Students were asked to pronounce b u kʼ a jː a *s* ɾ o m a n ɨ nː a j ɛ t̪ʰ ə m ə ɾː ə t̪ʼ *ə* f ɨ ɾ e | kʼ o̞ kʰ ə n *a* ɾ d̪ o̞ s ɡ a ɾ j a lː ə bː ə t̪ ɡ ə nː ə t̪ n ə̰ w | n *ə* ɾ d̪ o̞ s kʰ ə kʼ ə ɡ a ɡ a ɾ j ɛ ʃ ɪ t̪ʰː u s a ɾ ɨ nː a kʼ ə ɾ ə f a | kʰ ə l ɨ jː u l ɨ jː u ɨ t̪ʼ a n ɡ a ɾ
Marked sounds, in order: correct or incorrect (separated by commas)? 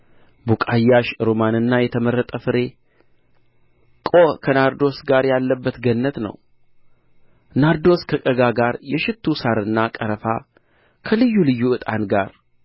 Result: incorrect, correct, correct, incorrect